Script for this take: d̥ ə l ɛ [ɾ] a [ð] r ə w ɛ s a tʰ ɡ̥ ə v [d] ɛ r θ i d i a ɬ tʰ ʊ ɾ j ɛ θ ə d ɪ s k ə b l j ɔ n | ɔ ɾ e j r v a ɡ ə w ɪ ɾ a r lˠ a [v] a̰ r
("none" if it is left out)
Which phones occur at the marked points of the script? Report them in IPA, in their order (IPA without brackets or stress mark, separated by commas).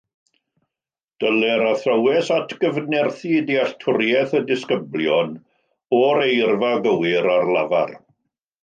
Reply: ɾ, θ, n, v